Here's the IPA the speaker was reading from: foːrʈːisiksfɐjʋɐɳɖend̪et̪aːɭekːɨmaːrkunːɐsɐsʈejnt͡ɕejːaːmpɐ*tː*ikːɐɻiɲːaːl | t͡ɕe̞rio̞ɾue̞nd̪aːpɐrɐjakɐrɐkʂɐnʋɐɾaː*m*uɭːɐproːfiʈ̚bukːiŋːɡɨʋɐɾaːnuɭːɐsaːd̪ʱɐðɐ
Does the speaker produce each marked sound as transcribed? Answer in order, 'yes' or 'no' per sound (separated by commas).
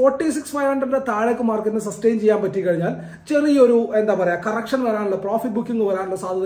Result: yes, no